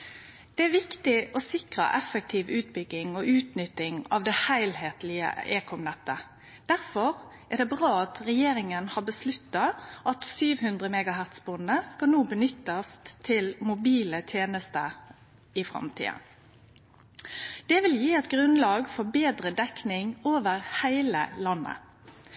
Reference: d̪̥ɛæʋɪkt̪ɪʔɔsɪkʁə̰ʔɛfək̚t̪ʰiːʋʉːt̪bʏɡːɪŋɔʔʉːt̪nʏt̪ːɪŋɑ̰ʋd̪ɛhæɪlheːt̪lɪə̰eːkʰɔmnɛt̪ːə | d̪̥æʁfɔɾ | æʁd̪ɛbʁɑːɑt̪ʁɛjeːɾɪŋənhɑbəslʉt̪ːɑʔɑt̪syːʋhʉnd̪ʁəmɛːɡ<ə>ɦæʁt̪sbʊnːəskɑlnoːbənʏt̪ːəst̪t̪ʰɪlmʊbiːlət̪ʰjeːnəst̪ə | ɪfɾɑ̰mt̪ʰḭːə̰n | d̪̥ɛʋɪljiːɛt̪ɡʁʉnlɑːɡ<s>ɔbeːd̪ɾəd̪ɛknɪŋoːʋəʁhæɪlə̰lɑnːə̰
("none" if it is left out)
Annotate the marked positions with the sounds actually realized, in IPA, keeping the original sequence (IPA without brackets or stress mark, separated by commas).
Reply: ɑ, f